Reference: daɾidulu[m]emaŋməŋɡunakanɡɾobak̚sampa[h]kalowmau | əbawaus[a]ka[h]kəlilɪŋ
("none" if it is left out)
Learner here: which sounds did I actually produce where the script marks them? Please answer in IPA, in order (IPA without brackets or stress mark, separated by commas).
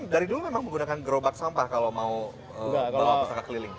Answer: m, h, a, none